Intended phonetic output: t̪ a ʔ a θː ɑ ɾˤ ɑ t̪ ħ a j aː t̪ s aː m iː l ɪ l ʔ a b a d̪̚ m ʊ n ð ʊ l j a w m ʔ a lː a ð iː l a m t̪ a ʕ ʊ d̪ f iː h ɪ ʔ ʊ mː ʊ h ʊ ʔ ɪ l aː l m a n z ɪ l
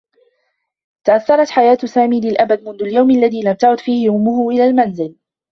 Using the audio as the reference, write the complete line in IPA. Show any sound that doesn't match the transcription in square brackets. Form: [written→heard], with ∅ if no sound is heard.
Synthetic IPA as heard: t̪ a ʔ a θː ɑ ɾˤ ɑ t̪ ħ a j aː t̪ s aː m iː l ɪ l ʔ a b a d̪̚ m ʊ n ð ʊ l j a w m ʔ a lː a ð iː l a m t̪ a ʕ ʊ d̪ f iː h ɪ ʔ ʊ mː ʊ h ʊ ʔ ɪ l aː l m a n z ɪ l

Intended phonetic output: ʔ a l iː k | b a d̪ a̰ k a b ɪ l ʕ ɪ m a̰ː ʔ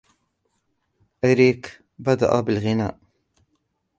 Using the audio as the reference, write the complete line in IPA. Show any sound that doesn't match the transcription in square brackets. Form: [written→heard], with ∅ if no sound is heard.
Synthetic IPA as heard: ʔ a [l→ɾ] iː k | b a d̪ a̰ [k→ʔ] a b ɪ l [ʕ→ɣ] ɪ [m→n] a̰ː ʔ

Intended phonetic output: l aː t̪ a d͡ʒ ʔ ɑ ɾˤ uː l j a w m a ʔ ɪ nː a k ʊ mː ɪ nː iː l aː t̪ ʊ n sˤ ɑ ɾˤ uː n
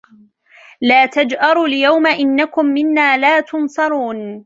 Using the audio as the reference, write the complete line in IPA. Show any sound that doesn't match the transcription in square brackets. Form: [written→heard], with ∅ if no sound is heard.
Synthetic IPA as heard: l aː t̪ a d͡ʒ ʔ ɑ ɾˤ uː l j a w m a ʔ ɪ nː a k ʊ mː ɪ nː [iː→aː] l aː t̪ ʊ n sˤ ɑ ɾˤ uː n

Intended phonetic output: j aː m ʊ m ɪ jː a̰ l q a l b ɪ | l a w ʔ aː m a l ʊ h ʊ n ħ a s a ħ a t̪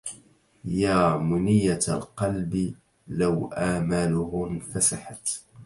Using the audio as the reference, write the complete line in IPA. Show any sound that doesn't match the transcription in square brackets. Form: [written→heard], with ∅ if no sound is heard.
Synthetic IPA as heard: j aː m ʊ [m→n] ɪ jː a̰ l q [a→ɑ] l b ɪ | l a w ʔ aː m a l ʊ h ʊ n [ħ→f] a s a ħ a t̪

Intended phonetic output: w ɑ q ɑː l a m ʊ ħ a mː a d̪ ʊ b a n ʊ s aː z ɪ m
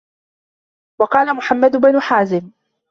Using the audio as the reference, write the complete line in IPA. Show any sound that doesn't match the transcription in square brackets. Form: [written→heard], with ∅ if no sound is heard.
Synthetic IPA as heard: w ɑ q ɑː l a m ʊ ħ a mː a d̪ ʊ b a n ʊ [s→ħ] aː z ɪ m

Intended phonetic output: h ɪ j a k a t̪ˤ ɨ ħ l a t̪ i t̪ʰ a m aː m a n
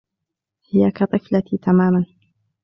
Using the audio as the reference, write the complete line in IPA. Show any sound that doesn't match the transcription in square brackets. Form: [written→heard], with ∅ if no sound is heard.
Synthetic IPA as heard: h ɪ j a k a t̪ˤ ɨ [ħ→f] l a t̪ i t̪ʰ a m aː m a n

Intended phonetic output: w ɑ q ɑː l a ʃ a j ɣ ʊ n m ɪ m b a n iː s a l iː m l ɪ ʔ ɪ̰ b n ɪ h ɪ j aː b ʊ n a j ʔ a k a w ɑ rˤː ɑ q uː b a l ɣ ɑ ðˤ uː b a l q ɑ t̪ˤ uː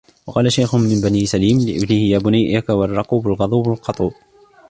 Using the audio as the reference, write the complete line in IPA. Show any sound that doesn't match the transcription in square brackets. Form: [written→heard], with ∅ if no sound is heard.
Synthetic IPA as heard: w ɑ q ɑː l a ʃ a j [ɣ→x] ʊ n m ɪ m b a n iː s a l iː m l ɪ ʔ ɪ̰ b n ɪ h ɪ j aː b ʊ n a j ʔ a k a w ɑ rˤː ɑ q uː b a l ɣ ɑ ðˤ uː b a l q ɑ t̪ˤ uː

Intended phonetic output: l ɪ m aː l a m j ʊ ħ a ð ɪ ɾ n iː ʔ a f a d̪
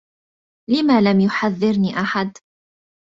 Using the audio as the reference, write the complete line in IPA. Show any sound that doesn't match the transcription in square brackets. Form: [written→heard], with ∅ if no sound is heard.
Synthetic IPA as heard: l ɪ m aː l a m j ʊ ħ a [ð→ðː] ɪ ɾ n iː ʔ a [f→ħ] a d̪

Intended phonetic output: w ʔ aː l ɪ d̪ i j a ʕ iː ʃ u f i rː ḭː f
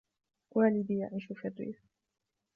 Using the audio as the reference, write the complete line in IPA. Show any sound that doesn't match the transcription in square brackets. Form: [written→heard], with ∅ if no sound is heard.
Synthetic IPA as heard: w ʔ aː l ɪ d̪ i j a ʕ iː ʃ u f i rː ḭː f

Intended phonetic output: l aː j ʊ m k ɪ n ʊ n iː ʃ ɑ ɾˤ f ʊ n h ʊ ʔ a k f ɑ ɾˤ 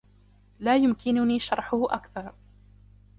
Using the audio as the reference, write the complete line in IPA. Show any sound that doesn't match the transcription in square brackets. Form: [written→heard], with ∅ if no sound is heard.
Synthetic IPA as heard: l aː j ʊ m k ɪ n ʊ n iː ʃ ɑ ɾˤ [f→ħ] ʊ [n→∅] h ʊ ʔ a k [f→θ] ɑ ɾˤ

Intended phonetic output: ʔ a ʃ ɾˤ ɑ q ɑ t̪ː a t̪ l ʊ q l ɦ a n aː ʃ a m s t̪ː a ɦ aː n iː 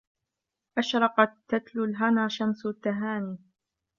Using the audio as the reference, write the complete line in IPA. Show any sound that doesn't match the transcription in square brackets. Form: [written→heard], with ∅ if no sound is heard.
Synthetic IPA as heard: ʔ a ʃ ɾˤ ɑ q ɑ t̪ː a t̪ l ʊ [q→∅] l ɦ a n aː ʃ a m s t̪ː a ɦ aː n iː

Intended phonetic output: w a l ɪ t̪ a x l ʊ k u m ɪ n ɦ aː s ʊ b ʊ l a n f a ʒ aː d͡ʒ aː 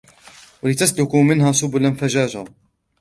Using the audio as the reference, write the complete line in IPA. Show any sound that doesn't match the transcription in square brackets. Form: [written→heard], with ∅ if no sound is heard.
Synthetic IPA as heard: w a l ɪ t̪ a [x→s] l ʊ k u m ɪ n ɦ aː s ʊ b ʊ l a n f a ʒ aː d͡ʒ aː

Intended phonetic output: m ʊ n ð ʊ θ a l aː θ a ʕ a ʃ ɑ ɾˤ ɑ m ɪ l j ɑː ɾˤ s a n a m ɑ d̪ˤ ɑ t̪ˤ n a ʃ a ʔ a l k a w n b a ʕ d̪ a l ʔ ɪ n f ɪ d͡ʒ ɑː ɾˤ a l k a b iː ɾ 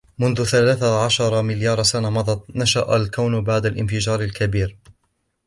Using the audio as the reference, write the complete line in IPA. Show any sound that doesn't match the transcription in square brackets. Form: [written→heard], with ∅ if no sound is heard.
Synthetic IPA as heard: m ʊ n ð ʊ θ a l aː θ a ʕ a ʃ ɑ ɾˤ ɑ m ɪ l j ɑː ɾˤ s a n a m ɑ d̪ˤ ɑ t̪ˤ n a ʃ a ʔ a l k a w n b a ʕ d̪ a l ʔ ɪ n f ɪ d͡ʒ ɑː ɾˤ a l k a b iː ɾ

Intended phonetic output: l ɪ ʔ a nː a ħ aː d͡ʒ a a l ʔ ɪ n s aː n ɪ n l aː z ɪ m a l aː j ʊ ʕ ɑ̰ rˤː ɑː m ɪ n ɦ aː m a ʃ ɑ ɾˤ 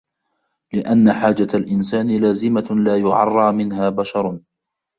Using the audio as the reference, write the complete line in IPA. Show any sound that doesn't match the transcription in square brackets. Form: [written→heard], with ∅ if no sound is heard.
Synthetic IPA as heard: l ɪ ʔ a nː a ħ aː d͡ʒ a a l ʔ ɪ n s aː n ɪ [n→∅] l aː z ɪ m a l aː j ʊ ʕ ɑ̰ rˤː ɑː m ɪ n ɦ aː [m→b] a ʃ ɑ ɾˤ

